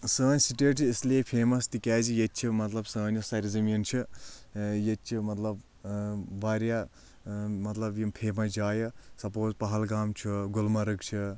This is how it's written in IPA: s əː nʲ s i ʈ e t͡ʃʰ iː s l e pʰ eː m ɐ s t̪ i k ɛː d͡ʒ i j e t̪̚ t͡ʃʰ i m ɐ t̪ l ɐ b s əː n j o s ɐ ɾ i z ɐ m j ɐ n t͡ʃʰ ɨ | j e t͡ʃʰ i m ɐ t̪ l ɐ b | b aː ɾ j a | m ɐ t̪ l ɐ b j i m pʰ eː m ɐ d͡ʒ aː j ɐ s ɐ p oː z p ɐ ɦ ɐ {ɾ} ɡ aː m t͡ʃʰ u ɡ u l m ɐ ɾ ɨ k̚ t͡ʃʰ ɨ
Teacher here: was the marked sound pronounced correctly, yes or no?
no